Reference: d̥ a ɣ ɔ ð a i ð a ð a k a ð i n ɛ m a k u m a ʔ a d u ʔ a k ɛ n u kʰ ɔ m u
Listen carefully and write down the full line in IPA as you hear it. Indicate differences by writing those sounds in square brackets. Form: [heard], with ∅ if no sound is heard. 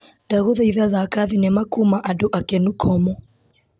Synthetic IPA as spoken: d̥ a ɣ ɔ ð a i ð a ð a k a ð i n ɛ m a k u m a ʔ a d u ʔ a k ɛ n u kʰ ɔ m [ɔ]